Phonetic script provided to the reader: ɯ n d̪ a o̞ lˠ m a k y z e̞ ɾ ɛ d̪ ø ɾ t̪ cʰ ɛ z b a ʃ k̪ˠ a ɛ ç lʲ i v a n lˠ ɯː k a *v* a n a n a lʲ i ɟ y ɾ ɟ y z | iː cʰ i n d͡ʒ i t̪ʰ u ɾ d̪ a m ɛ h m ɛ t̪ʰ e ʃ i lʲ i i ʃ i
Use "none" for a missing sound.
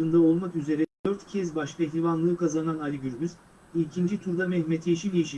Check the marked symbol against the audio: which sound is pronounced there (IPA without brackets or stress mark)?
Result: z